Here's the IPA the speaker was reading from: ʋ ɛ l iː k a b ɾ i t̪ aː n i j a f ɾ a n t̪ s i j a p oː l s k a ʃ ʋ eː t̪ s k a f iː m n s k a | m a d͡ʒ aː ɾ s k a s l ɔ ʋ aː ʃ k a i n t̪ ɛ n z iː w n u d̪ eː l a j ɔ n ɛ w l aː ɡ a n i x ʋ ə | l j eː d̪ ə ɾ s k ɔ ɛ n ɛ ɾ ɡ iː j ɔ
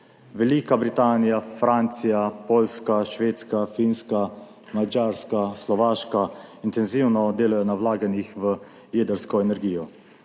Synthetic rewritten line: ʋ ɛ l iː k a b ɾ i t̪ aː n i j a f ɾ a n t̪ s i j a p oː l s k a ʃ ʋ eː t̪ s k a f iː n s k a | m a d͡ʒ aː ɾ s k a s l ɔ ʋ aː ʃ k a i n t̪ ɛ n z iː w n ɔ d̪ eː l a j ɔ n a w l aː ɡ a n i x ʋ ə | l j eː d̪ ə ɾ s k ɔ ɛ n ɛ ɾ ɡ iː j ɔ